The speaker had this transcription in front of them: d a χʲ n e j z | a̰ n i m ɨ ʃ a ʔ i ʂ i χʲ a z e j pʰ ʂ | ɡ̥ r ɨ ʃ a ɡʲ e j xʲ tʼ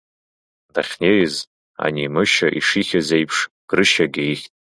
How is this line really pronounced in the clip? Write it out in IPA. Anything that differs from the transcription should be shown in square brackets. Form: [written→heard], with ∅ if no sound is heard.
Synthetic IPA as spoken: d a χʲ n e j z | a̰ n i m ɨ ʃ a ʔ i ʂ i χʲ a z e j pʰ ʂ | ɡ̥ r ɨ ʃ a ɡʲ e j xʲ tʼ